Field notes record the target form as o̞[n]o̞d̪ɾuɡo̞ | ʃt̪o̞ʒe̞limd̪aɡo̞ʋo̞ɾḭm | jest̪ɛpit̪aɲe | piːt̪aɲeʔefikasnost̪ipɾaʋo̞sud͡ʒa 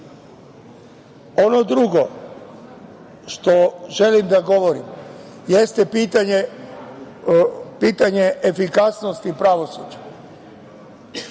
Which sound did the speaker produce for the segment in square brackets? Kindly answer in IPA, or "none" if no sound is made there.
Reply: n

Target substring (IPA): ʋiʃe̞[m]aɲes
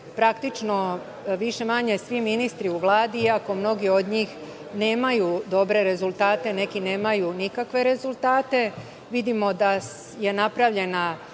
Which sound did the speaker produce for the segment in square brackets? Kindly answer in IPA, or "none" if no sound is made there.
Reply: m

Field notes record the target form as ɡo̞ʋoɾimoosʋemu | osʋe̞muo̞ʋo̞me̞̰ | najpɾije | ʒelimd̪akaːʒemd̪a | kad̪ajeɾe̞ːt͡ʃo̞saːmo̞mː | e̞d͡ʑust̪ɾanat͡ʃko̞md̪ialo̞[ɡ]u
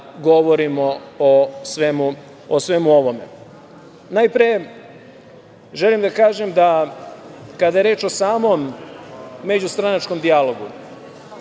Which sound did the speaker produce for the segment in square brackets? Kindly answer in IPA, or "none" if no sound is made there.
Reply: ɡ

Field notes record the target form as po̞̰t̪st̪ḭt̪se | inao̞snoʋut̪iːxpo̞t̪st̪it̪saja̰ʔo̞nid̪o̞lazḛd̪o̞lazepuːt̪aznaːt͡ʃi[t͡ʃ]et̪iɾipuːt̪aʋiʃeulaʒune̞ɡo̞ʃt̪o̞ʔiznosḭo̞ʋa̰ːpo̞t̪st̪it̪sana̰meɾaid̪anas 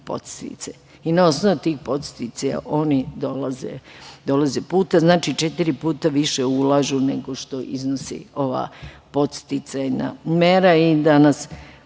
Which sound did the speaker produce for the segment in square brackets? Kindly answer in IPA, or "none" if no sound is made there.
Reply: t͡ʃ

